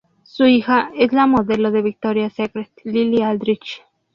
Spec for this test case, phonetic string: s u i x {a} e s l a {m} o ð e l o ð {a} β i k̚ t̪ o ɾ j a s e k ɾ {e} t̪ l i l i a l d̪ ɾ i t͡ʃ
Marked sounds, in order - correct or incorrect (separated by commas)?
correct, correct, incorrect, correct